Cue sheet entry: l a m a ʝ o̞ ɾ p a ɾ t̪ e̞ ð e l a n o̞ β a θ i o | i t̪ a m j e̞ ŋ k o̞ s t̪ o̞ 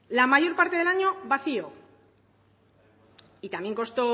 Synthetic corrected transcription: l a m a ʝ o̞ ɾ p a ɾ t̪ e̞ ð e l a ɲ o̞ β a θ i o | i t̪ a m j e̞ ŋ k o̞ s t̪ o̞